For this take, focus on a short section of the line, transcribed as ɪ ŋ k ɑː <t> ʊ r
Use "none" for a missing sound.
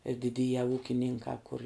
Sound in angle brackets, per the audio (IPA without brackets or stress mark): k